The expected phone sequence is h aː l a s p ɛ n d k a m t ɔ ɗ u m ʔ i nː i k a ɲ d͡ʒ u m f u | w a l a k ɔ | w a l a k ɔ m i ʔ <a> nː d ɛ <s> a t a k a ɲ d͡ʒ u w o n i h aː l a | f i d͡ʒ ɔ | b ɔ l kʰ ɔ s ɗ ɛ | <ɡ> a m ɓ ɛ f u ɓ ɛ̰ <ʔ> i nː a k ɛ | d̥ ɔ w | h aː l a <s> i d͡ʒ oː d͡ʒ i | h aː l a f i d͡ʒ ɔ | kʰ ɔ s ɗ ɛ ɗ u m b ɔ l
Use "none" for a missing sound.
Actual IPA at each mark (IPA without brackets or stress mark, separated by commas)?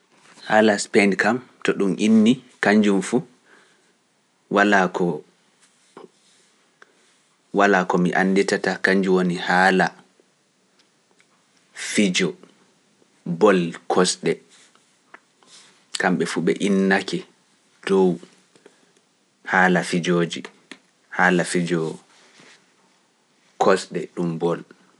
a, t, k, ʔ, f